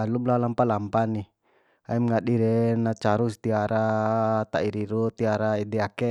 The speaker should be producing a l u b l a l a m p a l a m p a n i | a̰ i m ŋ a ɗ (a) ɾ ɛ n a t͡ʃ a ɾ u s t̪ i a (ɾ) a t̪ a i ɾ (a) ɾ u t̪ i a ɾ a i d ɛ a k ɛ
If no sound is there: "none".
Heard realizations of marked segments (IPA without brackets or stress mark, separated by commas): i, ɾ, i